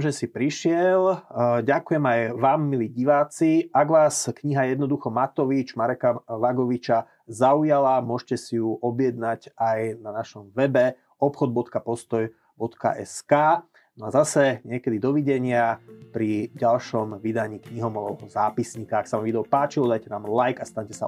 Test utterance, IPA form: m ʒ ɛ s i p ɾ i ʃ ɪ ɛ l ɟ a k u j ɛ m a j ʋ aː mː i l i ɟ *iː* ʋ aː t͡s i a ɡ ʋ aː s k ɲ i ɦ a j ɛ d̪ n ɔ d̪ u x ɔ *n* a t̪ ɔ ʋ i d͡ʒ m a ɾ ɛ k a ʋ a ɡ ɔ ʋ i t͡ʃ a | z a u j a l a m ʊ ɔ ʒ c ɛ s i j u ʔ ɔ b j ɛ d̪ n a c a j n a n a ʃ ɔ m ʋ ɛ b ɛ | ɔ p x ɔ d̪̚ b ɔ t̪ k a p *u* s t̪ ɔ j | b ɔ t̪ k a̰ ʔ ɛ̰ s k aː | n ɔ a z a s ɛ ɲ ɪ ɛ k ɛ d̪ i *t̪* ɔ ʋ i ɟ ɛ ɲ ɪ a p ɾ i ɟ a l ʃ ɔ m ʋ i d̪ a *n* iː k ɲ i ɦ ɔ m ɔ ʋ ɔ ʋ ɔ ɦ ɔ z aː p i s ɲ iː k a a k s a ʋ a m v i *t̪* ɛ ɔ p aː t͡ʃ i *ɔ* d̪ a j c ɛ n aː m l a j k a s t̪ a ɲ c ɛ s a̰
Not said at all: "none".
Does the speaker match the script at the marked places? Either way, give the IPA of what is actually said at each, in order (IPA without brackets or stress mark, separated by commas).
i, m, ɔ, d̪, ɲ, d̪, ɔ